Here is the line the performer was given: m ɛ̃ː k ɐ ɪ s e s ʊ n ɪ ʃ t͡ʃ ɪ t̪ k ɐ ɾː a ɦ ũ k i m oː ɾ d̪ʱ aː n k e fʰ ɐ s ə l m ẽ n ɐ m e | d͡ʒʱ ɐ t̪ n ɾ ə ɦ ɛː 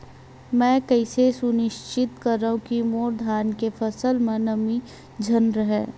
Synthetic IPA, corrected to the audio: m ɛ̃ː k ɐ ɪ s e s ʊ n ɪ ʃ t͡ʃ ɪ t̪ k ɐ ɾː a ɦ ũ k i m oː ɾ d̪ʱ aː n k e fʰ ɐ s ə l m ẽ n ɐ m i | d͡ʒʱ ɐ n ɾ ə ɦ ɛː